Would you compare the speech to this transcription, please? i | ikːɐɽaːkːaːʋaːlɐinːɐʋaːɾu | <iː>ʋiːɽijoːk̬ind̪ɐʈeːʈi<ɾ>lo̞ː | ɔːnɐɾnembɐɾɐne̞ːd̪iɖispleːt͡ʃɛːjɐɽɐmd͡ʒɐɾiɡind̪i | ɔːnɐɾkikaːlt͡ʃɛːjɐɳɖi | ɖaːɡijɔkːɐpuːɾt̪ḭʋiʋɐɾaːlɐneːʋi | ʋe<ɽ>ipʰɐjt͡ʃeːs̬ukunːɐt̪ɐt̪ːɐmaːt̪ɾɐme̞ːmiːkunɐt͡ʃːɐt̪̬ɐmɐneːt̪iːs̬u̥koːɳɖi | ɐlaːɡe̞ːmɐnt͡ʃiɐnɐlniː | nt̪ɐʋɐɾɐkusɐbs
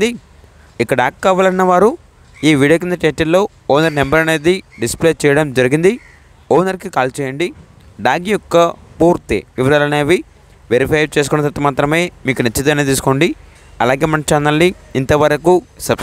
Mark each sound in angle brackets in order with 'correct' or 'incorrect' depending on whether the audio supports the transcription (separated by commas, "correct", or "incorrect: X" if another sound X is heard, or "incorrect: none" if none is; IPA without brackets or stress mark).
correct, incorrect: l, incorrect: ɾ